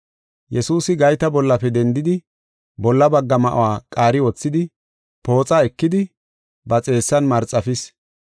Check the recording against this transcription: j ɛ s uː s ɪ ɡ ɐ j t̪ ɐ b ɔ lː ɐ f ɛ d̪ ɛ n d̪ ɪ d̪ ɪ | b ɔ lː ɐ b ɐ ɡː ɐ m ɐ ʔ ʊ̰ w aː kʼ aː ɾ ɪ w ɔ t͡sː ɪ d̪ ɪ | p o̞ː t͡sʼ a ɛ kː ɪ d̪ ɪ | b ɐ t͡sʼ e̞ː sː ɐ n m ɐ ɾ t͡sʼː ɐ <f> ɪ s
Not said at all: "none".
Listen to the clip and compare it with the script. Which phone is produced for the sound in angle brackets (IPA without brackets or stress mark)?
f